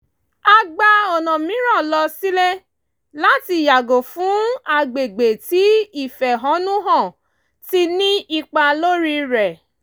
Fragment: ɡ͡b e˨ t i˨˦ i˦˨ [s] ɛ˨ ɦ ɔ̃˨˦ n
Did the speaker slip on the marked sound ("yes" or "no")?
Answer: yes